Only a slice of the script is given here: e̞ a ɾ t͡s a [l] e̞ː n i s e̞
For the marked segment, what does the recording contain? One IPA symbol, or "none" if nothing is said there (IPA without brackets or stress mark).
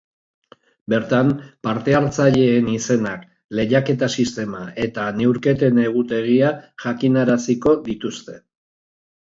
ʎ